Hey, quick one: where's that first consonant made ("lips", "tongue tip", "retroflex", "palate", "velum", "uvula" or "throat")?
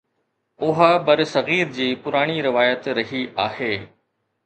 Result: throat